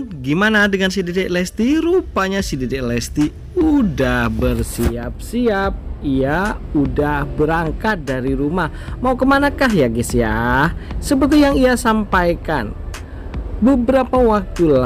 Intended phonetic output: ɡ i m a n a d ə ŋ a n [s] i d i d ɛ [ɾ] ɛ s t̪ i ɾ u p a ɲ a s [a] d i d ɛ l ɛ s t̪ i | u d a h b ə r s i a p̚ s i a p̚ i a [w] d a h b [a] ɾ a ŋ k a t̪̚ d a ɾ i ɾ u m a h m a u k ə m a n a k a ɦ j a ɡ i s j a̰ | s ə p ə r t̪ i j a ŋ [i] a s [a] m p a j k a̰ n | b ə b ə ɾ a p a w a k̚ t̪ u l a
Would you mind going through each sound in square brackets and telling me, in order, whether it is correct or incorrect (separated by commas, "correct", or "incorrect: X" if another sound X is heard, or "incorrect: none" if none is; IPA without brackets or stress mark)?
correct, incorrect: l, incorrect: i, incorrect: u, incorrect: ə, correct, correct